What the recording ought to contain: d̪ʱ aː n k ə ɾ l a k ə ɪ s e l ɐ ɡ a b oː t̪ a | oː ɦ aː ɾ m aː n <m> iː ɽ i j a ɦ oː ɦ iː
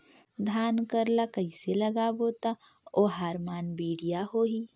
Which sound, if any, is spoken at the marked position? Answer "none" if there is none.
b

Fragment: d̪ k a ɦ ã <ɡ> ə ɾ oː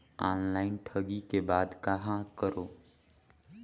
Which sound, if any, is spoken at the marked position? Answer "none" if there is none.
k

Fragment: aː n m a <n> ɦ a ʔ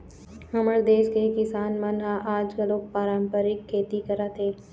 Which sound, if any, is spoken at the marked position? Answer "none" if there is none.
n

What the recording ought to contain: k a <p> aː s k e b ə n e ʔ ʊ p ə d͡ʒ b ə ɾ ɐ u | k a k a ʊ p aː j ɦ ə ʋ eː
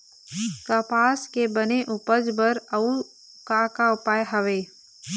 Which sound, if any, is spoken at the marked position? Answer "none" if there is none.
p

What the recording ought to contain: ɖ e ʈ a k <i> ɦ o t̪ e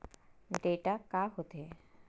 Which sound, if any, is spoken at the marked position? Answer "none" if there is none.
a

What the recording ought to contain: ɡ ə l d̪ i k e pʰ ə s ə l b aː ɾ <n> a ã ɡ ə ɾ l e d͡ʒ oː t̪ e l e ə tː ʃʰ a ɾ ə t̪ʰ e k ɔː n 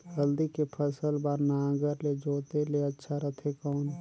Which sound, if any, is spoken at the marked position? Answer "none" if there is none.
n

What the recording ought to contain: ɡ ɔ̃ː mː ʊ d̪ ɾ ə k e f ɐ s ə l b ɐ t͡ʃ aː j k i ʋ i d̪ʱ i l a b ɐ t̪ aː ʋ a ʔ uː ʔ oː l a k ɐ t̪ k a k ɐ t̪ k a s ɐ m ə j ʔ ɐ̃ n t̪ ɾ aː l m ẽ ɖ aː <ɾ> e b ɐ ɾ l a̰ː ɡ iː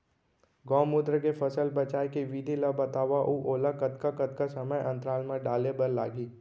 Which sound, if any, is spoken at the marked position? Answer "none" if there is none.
l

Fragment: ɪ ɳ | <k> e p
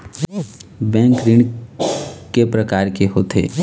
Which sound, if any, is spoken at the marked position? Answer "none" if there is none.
k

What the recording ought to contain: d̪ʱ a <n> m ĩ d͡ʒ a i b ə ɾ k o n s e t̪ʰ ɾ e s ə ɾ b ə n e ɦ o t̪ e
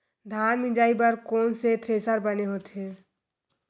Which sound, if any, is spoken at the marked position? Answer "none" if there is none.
n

